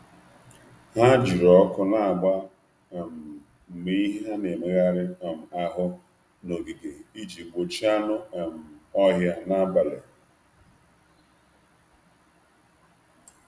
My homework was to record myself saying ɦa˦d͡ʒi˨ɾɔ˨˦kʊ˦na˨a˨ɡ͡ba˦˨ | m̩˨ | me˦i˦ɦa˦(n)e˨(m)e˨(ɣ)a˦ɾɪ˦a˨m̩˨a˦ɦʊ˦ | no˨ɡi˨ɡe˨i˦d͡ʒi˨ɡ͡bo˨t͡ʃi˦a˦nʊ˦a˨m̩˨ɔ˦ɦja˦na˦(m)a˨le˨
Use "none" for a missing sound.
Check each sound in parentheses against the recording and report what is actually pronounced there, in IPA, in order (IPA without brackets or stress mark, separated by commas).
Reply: n, m, ɣ, b